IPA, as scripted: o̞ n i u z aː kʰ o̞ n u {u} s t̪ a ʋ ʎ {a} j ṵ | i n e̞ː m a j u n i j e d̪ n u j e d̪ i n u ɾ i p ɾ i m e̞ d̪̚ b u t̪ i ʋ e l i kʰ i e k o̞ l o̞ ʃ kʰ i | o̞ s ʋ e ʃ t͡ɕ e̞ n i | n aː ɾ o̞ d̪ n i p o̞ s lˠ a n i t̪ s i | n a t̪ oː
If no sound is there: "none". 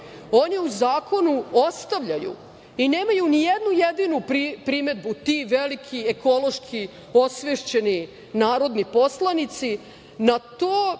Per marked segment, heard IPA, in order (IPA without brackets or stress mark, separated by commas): o, a